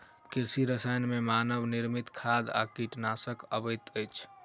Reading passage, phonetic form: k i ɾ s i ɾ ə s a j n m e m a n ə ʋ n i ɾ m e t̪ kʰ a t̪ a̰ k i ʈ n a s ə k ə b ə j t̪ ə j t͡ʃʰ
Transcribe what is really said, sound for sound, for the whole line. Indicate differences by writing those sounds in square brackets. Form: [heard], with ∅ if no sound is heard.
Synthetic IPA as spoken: k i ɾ s i ɾ ə s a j n m e m a n ə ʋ n i ɾ m [i] t̪ kʰ a [d̪] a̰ k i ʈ n a s ə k ə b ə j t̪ ə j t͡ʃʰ